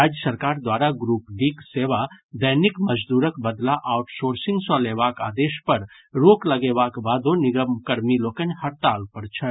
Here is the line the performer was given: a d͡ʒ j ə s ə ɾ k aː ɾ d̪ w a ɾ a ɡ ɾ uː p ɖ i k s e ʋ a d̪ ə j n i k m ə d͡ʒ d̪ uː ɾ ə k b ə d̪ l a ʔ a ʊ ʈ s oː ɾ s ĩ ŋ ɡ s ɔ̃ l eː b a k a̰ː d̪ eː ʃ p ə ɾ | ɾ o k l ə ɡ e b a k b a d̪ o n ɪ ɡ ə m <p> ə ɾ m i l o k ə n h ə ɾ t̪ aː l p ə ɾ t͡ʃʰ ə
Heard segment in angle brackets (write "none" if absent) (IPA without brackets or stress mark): k